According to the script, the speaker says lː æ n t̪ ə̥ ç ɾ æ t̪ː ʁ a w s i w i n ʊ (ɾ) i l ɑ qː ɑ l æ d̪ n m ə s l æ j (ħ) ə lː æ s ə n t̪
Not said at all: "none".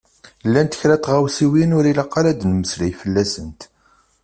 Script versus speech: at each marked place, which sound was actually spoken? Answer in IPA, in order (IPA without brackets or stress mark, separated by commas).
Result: ɾ, f